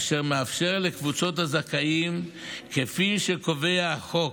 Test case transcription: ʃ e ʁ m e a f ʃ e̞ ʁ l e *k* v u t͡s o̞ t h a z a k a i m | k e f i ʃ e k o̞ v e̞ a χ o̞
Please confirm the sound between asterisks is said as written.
yes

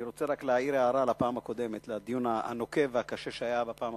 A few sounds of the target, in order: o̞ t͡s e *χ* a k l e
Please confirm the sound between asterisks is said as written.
no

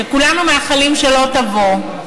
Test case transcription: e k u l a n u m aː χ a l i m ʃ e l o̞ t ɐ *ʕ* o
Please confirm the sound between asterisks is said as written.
no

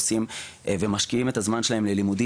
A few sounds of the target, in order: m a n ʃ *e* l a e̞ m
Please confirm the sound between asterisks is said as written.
yes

